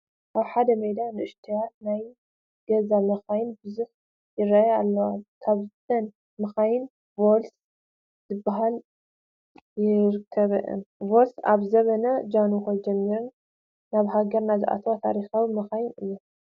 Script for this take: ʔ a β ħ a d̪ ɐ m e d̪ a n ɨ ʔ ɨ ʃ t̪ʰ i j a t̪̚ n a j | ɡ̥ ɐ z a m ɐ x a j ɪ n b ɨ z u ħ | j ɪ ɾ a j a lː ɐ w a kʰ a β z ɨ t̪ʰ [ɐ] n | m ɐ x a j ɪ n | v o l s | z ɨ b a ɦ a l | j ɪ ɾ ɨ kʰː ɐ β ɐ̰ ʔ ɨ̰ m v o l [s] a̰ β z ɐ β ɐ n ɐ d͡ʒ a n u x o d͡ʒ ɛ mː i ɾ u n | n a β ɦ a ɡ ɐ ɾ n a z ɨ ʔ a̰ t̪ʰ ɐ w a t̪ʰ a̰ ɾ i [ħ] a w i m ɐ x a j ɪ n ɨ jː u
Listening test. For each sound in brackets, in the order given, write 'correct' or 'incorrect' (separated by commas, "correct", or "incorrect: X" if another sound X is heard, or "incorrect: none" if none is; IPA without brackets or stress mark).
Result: correct, correct, incorrect: x